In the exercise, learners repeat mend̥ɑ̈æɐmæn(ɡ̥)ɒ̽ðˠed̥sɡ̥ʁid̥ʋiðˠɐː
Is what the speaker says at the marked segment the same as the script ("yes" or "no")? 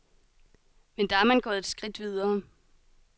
yes